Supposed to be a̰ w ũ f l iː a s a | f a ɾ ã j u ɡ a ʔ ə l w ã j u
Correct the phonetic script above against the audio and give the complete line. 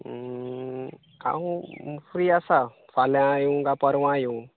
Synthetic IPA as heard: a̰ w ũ f ɾ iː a s a | f a l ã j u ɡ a p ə ɾ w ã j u

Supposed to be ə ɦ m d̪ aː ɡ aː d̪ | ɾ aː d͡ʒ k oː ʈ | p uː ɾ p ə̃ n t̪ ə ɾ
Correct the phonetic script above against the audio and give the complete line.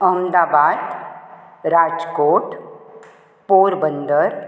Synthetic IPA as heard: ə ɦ m d̪ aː b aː d̪ | ɾ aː d͡ʒ k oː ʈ | p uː ɾ b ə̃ n d̪ ə ɾ

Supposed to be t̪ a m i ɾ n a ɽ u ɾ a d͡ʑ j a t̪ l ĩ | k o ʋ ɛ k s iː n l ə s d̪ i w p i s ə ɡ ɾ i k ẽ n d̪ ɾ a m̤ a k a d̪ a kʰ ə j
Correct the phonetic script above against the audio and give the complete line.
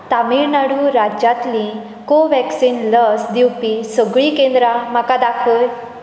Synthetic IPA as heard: t̪ a m i ɾ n a ɽ u ɾ a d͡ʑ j a t̪ l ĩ | k o ʋ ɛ k s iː n l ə s d̪ i w p i s ə ɡ ɭ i k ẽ n d̪ ɾ a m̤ a k a d̪ a kʰ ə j

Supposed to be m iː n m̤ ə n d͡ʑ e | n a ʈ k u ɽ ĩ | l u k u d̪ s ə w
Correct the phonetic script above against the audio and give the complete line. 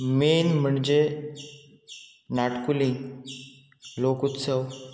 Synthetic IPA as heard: m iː n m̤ ə ɳ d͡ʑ e | n a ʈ k u l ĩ | l o k u t̪ s ə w

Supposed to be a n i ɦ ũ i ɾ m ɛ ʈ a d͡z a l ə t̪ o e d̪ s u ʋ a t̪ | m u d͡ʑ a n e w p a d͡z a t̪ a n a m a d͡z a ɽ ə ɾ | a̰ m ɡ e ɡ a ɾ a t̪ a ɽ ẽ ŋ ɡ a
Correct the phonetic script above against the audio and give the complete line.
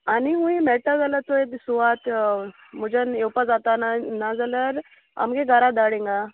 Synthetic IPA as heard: a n i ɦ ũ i m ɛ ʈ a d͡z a l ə t̪ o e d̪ s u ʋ a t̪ | m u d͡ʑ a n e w p a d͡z a t̪ a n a n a d͡z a l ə ɾ | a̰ m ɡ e ɡ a ɾ a d̪ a ɽ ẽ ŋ ɡ a

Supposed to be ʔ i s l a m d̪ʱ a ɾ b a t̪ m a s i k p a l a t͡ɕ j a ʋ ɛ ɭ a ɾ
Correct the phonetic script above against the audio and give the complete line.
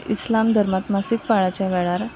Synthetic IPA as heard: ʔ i s l a m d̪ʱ ə ɾ m a t̪ m a s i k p a ɭ a t͡ɕ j a ʋ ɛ ɭ a ɾ

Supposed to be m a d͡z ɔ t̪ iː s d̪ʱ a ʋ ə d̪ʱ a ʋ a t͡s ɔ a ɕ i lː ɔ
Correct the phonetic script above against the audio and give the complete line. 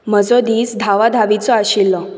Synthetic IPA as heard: m ə d͡z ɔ d̪ iː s d̪ʱ a ʋ a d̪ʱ a ʋ i t͡s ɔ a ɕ i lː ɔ

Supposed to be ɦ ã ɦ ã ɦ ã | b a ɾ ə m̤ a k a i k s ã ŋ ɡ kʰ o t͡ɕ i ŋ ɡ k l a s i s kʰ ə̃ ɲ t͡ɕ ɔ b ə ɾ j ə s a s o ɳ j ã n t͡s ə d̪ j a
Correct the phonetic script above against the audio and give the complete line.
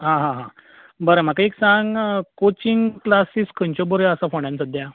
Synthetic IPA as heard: ɦ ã ɦ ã ɦ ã | b ə ɾ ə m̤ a k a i k s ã ŋ ɡ k o t͡ɕ i ŋ ɡ k l a s i s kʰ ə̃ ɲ t͡ɕ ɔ b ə ɾ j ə s a f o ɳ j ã n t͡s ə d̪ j a

